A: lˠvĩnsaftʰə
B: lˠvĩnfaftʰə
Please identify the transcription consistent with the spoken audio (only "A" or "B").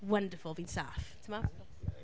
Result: A